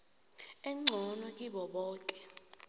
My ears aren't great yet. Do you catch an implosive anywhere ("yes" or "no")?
yes